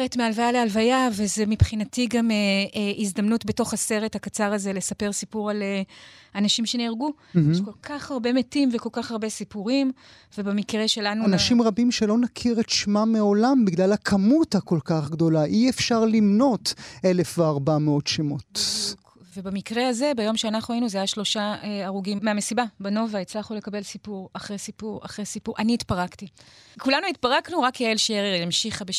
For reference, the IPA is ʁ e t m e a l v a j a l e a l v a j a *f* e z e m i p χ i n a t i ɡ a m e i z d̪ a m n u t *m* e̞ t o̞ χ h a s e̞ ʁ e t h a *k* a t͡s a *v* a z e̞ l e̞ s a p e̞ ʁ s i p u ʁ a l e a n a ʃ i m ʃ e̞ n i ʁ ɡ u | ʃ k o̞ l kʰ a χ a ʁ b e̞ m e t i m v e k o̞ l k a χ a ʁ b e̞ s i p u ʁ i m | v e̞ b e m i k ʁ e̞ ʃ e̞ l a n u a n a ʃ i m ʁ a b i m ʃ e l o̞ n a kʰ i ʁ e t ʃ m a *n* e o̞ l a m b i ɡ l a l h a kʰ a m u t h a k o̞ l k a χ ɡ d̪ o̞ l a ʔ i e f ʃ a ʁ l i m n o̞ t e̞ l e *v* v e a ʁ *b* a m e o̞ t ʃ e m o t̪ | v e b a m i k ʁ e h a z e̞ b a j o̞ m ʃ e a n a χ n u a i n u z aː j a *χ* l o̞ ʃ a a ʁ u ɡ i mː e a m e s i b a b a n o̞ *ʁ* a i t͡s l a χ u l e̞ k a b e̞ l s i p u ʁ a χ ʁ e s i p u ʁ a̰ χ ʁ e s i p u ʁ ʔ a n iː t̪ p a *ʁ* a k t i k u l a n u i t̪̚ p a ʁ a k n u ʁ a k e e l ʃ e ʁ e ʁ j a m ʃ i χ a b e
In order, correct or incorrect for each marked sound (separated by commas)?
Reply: incorrect, incorrect, correct, incorrect, incorrect, incorrect, correct, incorrect, incorrect, correct